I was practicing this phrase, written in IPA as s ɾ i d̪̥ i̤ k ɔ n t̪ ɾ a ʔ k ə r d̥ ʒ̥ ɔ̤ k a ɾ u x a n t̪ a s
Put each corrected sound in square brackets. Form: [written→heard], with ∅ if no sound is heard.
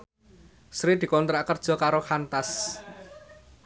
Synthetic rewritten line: s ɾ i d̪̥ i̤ k ɔ n t̪ ɾ a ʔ k ə r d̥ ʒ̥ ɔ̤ k a ɾ [u→o] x a n t̪ a s